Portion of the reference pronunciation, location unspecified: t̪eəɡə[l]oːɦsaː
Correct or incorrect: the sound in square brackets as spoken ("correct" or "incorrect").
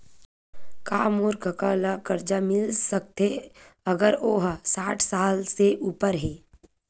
incorrect